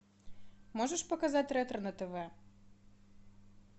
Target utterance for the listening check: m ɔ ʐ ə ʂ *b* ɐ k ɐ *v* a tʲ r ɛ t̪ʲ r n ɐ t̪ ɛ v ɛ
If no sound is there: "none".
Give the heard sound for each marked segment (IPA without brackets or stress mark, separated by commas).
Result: p, z